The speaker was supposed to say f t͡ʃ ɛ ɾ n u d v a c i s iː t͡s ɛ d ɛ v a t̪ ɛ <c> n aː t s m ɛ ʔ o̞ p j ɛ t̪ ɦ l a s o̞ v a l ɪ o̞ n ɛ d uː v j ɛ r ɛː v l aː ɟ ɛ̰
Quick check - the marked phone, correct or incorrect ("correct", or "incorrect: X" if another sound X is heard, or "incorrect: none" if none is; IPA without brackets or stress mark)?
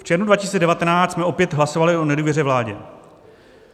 incorrect: none